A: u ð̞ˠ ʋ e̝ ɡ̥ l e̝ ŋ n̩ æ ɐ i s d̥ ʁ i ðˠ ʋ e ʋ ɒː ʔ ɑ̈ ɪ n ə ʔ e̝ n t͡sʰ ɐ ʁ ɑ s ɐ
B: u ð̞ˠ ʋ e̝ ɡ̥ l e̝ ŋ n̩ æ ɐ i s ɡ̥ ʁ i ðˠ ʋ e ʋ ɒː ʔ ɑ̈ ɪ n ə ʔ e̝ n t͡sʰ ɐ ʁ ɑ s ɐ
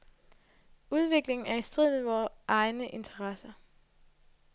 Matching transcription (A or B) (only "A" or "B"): A